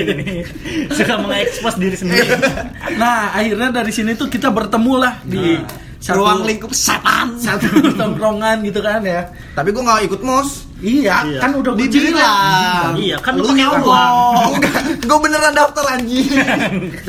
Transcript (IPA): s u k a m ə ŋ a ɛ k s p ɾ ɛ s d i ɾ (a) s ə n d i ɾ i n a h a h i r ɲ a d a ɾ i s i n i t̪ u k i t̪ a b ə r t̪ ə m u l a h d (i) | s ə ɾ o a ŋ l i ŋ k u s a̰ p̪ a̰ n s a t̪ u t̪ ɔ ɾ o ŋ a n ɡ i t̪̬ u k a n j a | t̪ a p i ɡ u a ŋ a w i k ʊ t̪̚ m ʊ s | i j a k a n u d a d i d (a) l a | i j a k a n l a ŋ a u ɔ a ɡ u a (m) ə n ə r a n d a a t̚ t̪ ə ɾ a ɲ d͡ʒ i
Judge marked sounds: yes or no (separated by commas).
no, yes, no, no